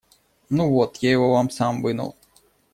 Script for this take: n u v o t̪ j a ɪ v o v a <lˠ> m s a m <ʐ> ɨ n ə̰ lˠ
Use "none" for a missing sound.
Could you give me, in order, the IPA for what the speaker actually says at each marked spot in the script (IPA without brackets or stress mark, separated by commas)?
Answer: none, v